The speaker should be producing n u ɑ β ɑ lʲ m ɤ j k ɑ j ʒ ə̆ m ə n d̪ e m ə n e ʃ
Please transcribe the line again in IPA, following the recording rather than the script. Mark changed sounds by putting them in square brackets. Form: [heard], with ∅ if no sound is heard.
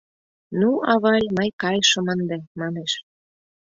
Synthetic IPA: n u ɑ β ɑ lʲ m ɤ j k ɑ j [ʃ] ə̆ m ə n d̪ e m [ɑ] n e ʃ